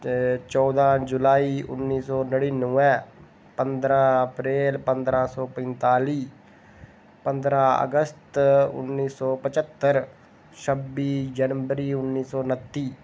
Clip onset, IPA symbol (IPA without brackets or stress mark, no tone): t͡ʃ